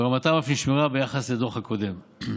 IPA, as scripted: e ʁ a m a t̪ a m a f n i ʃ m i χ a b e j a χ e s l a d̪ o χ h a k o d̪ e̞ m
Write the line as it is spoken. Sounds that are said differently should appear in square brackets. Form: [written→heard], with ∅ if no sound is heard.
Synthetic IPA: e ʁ a m a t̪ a m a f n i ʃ m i [χ→ʁ] a b e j a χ [e→a] s l [a→e] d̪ o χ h a k o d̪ e̞ m

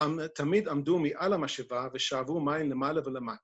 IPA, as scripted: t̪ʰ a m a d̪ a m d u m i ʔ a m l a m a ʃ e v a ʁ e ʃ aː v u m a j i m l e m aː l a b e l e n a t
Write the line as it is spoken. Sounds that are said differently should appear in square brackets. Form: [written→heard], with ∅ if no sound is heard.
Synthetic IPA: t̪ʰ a m [a→i] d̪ a m d u m i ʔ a [m→∅] l a m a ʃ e v a [ʁ→v] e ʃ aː v u m a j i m l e m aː l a [b→v] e l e [n→m] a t

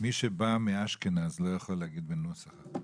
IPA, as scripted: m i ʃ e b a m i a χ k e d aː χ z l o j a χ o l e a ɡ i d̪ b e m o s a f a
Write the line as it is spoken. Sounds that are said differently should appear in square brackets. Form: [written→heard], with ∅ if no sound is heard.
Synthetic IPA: m i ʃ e b a m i a [χ→ʃ] k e [d→n] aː [χ→∅] z l o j a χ o l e a ɡ i d̪ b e [m→n] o s a [f→χ] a

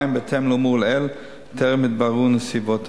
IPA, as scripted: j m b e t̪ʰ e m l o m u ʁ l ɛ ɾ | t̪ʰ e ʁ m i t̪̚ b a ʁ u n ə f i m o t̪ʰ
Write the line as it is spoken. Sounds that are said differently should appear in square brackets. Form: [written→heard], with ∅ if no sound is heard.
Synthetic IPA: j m b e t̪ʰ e m l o m u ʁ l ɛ [ɾ→l] | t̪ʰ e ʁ m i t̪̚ b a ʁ u n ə [f→s] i [m→b] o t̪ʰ

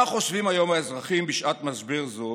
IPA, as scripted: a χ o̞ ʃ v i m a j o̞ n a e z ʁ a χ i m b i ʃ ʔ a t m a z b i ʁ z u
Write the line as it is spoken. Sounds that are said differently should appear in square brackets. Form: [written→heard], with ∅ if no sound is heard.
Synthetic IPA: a χ o̞ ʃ v i m a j o̞ [n→m] a e z ʁ a χ i m b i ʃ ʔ a t m a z b i ʁ z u

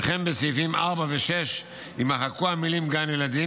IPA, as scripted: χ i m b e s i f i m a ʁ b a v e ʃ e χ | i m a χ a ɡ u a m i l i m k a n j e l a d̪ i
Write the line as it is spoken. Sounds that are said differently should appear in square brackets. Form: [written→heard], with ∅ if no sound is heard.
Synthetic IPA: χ [i→e] m b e s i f i m a ʁ b a v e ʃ e [χ→ʃ] | i m a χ a [ɡ→k] u a m i l i m [k→ɡ] a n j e l a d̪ i

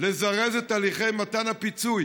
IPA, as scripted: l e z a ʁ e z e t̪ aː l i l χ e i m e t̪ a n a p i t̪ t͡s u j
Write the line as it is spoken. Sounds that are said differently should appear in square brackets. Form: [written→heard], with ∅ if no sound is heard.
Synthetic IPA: l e z a ʁ e z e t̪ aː l i [l→∅] χ e [i→j] m [e→a] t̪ a n a p i [t̪→∅] t͡s u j

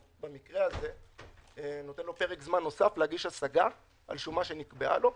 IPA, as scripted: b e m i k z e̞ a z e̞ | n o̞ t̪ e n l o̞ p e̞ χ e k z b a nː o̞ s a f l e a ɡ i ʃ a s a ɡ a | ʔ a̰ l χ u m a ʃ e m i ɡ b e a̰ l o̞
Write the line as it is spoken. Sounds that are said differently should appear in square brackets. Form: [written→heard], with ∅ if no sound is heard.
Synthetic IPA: b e m i k [z→ʁ] e̞ a z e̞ | n o̞ t̪ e n l o̞ p e̞ [χ→ʁ] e k z [b→m] a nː o̞ s a f l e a ɡ i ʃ a s a ɡ a | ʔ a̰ l [χ→ʃ] u m a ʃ e [m→n] i [ɡ→k] b e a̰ l o̞

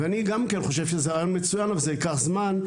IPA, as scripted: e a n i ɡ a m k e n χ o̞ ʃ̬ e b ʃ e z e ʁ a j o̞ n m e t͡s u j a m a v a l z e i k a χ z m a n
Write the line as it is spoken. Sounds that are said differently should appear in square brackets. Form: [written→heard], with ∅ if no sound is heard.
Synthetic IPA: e a n i ɡ a m k e n χ o̞ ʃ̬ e [b→v] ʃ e z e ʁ a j o̞ n m e t͡s u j a [m→n] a v a l z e i k a χ z m a n

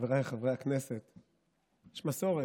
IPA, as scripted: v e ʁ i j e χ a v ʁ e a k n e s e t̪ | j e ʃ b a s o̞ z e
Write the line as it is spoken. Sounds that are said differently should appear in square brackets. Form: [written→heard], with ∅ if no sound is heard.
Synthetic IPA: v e ʁ [i→a] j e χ a v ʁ e a k n e s e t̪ | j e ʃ [b→m] a s o̞ [z→ʁ] e

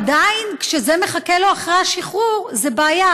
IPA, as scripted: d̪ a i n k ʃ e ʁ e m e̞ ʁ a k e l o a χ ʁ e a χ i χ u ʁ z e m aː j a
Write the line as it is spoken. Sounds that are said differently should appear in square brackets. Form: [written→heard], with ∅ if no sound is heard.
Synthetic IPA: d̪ a i n k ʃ e [ʁ→z] e m e̞ [ʁ→χ] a k e l o a χ ʁ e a [χ→ʃ] i χ u ʁ z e [m→b] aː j a

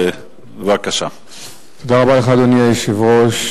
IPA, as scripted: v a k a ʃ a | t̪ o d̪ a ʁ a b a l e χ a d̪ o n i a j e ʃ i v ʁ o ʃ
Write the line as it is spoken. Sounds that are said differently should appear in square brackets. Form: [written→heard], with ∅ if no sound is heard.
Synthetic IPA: v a k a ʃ a | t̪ o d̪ a ʁ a b a l e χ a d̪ o n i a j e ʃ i v ʁ o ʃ

